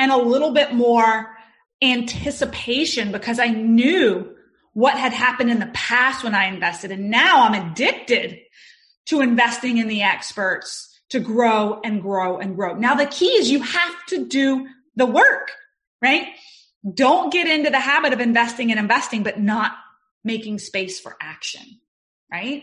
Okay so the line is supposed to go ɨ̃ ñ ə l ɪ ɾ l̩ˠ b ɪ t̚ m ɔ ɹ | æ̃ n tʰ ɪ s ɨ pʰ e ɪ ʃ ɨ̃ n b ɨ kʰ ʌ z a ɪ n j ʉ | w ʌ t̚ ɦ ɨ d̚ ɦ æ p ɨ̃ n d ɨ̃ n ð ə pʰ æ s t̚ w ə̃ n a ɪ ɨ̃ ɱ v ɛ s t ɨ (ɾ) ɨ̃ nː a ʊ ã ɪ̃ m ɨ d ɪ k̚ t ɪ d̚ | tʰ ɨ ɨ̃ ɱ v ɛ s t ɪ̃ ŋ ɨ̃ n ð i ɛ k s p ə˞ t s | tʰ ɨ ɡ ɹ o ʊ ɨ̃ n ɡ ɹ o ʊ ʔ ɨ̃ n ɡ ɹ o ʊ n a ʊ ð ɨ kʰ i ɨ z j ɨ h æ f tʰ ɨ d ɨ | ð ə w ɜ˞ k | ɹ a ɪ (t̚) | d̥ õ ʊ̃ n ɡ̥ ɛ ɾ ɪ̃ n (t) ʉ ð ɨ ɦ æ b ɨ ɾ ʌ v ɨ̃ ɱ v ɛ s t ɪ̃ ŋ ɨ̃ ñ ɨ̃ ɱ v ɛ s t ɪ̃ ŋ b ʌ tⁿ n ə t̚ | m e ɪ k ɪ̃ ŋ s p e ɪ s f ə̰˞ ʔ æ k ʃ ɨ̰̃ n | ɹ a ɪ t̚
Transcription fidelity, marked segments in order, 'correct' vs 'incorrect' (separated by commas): correct, correct, correct